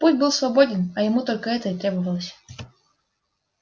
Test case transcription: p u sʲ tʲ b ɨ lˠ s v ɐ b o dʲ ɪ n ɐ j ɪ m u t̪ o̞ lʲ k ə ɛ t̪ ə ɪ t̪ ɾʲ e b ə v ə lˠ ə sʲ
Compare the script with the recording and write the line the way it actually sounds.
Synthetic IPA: p u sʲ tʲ b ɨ lˠ s v ɐ b o dʲ ɪ n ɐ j ɪ m u t̪ o̞ lʲ k ə ɛ t̪ ə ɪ t̪ ɾʲ e b ə v ə lˠ ə sʲ